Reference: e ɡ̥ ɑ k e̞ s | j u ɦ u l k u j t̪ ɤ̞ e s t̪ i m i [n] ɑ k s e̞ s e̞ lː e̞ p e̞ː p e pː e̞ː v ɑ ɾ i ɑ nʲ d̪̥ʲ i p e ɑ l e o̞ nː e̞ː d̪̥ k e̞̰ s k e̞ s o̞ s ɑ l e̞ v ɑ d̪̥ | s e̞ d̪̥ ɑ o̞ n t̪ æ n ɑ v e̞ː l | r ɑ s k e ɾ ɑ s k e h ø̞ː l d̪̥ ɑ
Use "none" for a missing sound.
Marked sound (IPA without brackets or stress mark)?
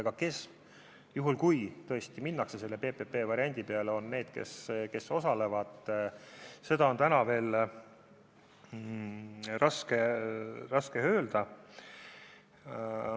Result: nː